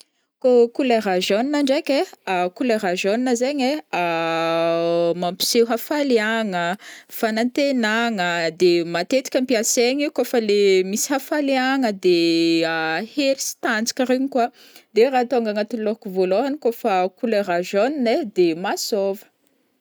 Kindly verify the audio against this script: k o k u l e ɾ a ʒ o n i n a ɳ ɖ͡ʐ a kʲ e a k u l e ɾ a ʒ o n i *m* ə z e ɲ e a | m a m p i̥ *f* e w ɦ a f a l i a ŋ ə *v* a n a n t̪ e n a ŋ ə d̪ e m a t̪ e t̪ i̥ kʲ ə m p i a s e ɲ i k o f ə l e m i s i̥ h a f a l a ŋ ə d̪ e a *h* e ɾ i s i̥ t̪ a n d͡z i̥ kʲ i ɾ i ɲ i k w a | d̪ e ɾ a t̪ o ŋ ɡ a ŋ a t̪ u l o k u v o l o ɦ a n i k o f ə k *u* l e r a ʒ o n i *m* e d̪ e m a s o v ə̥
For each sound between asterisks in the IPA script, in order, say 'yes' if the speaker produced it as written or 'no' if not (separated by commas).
no, no, no, yes, yes, no